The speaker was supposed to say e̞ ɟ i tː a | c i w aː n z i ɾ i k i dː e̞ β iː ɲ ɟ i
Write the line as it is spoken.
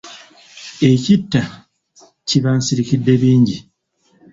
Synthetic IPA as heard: e̞ c i tː a | c i β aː n s i ɾ i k i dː e̞ β iː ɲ ɟ i